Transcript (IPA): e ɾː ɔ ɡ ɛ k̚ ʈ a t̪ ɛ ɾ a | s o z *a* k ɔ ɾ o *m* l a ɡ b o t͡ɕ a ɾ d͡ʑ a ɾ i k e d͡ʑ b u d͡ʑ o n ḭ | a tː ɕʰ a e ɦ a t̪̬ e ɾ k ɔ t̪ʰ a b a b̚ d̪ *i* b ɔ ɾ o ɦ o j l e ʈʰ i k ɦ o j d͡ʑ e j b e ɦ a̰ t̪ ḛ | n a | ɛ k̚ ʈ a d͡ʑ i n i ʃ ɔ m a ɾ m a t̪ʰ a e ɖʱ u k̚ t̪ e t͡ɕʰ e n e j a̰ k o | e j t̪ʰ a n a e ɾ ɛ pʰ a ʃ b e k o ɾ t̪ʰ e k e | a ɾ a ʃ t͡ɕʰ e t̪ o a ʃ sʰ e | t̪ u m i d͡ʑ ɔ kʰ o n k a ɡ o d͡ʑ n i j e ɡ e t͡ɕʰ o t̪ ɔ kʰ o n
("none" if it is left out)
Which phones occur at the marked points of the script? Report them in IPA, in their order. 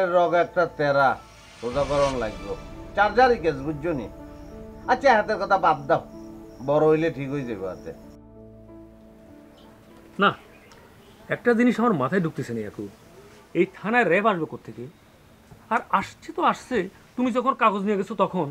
a, n, a

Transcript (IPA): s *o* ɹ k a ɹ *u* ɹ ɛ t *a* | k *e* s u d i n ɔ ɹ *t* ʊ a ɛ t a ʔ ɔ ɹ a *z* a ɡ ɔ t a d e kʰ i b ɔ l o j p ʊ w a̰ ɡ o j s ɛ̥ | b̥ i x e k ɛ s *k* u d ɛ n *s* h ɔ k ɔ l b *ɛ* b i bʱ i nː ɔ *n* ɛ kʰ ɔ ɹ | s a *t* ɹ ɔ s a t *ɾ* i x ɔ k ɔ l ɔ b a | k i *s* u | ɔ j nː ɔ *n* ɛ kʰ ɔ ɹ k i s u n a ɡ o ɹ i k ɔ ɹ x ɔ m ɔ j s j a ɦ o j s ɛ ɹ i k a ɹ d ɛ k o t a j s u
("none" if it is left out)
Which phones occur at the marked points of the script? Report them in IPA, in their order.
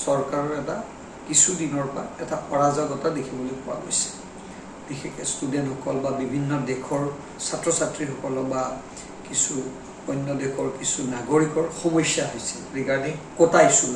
ɔ, ɔ, a, i, p, z, t, t, a, d, t, ɹ, s, d

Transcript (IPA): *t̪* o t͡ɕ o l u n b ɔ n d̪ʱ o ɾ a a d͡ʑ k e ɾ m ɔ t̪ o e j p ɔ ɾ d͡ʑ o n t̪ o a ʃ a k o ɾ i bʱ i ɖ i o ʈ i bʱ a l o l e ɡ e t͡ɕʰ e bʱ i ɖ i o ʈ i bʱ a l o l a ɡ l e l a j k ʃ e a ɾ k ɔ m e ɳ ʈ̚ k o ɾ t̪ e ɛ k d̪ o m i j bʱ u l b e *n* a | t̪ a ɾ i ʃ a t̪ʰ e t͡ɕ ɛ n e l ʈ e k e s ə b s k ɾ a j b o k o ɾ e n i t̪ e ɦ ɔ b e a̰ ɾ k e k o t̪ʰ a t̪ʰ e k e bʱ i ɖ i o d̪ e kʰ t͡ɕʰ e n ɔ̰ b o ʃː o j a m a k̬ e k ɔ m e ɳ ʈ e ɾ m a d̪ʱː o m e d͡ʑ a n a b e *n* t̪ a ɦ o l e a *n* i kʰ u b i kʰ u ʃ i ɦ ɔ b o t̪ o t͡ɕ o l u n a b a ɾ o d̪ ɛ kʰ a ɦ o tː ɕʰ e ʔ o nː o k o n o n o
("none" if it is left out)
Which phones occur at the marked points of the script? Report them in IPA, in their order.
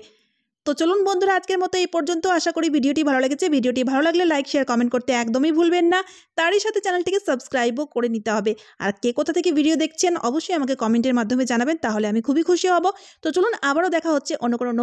t̪, nː, n, m

